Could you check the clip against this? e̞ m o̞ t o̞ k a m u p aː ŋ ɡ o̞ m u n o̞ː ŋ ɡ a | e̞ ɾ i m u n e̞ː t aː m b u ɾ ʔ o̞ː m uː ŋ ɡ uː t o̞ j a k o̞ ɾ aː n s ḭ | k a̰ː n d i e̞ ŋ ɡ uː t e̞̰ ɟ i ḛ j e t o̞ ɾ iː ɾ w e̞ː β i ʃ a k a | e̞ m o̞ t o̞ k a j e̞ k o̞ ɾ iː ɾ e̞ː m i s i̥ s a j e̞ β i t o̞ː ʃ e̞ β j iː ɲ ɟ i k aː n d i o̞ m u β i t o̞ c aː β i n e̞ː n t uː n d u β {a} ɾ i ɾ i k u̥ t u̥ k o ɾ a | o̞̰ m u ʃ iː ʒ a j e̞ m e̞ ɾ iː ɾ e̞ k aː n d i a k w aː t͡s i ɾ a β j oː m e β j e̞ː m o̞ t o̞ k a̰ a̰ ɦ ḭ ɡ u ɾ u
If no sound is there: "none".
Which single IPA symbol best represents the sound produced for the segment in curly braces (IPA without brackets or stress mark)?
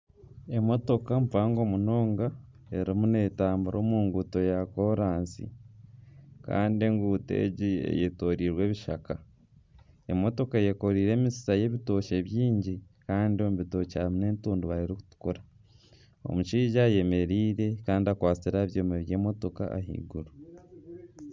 a